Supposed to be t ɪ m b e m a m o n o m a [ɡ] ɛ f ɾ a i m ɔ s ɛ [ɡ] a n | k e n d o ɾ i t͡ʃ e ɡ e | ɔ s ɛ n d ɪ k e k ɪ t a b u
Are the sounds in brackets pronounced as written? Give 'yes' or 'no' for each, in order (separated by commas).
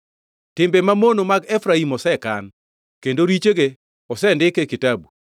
yes, no